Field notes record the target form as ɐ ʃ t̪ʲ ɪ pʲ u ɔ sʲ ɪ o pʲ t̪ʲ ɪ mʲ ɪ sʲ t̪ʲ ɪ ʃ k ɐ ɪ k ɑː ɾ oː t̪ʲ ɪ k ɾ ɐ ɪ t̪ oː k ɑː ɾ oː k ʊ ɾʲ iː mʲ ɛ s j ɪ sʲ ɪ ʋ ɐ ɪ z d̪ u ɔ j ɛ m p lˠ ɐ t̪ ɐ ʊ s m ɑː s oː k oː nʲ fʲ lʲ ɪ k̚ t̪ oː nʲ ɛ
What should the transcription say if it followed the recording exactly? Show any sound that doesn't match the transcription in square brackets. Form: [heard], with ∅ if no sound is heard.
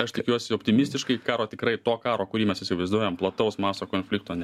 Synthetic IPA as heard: ɐ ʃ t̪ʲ ɪ [kʲ] u ɔ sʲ ɪ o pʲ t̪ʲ ɪ mʲ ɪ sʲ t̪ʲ ɪ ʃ k ɐ ɪ k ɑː ɾ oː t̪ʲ ɪ k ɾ ɐ ɪ t̪ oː k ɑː ɾ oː k ʊ ɾʲ iː mʲ ɛ s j ɪ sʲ ɪ ʋ ɐ ɪ z d̪ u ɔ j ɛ m p lˠ ɐ t̪ ɐ ʊ s m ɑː s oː k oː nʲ fʲ lʲ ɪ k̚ t̪ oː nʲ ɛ